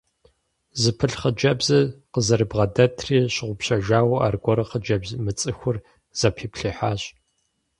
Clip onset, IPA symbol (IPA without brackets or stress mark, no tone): z